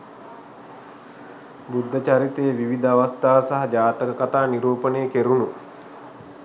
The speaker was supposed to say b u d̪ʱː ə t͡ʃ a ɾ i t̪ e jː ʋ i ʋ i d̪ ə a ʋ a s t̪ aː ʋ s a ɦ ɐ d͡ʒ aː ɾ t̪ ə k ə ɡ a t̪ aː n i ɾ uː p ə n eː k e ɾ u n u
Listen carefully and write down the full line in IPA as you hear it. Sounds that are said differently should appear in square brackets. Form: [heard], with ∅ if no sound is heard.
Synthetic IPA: b u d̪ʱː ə t͡ʃ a ɾ i t̪ e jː ʋ i ʋ i d̪ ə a ʋ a s t̪ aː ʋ s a ɦ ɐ d͡ʒ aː [∅] t̪ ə k ə [k] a t̪ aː n i ɾ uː p ə n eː k e ɾ u n u